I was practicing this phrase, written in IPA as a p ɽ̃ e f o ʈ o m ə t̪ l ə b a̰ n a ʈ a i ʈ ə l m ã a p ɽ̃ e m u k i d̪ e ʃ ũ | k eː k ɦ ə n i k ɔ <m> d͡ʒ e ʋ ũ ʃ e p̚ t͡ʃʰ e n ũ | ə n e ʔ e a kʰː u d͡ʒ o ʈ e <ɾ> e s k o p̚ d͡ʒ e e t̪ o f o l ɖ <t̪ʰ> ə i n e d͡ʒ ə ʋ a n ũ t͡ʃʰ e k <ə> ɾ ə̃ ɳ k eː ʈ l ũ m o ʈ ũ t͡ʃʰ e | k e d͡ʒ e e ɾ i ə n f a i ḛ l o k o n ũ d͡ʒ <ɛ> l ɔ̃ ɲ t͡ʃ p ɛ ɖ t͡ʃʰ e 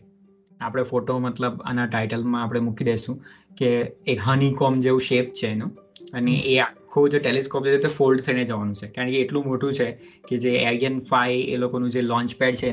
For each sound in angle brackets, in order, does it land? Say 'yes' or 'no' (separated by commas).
yes, no, yes, no, no